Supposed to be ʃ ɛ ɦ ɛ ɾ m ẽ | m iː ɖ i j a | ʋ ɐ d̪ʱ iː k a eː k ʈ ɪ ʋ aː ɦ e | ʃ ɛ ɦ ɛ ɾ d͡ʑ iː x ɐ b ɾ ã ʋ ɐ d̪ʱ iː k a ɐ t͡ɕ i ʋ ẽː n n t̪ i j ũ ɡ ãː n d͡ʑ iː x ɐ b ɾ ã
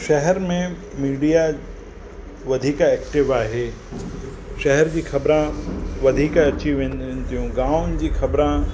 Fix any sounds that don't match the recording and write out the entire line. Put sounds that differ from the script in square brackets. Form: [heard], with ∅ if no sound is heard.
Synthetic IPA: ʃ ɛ ɦ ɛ ɾ m ẽ | m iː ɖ i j a | ʋ ɐ d̪ʱ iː k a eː k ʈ ɪ ʋ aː ɦ e | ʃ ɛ ɦ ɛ ɾ d͡ʑ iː x ɐ b ɾ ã ʋ ɐ d̪ʱ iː k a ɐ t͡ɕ i ʋ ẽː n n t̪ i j ũ ɡ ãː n d͡ʑ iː x ɐ b ɾ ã